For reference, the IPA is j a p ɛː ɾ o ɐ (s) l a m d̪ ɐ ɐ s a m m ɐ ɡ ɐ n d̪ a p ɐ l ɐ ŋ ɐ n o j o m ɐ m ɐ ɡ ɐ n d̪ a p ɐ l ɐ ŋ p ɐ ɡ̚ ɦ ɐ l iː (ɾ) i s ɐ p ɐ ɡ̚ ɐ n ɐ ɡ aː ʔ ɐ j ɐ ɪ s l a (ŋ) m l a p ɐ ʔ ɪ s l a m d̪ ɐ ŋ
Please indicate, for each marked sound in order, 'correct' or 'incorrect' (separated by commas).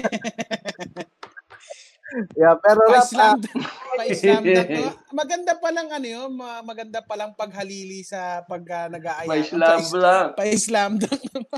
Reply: correct, incorrect, incorrect